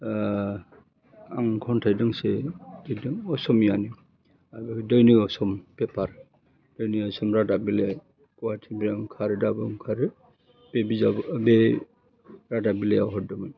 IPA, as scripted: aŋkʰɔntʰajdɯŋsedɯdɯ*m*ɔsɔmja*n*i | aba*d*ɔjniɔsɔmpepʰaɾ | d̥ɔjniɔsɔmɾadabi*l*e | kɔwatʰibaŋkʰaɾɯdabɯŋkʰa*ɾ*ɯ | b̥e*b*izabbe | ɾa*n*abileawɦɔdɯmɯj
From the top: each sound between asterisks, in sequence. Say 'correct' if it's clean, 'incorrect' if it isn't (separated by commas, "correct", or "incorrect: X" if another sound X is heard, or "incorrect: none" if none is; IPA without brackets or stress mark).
incorrect: ŋ, correct, correct, correct, correct, correct, incorrect: d